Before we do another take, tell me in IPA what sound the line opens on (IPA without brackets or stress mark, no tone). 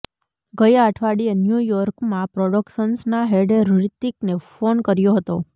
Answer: ɡ